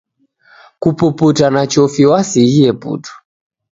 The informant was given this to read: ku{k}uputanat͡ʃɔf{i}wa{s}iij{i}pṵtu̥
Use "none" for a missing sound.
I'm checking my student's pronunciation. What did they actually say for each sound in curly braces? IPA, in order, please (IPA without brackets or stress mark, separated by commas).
p, i, s, ɛ